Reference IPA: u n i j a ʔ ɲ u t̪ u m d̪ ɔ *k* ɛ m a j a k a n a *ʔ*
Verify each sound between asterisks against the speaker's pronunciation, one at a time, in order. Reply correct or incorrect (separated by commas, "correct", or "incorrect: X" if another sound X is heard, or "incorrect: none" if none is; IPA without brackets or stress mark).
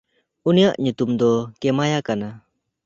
correct, incorrect: none